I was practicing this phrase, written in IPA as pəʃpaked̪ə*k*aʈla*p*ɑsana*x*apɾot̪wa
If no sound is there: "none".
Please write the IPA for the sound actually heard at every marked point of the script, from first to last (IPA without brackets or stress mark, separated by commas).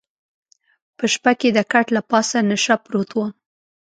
k, p, ʃ